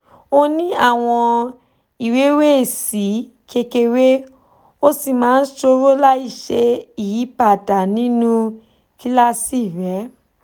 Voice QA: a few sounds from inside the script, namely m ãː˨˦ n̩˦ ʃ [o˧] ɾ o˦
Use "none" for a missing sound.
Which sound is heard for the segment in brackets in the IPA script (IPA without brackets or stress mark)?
o˧